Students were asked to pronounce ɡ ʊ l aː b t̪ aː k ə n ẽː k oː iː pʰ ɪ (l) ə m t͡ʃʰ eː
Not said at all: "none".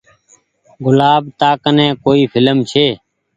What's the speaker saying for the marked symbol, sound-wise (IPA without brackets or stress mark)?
l